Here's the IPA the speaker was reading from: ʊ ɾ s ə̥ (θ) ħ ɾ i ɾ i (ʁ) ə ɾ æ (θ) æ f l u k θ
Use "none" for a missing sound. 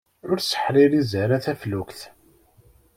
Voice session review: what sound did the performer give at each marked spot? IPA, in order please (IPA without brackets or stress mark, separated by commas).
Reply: none, z, θ